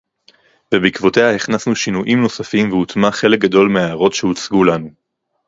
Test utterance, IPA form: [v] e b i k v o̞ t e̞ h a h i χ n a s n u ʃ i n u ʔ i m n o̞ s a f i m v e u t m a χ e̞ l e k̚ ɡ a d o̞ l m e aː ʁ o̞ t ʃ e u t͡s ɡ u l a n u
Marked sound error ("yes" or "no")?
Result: no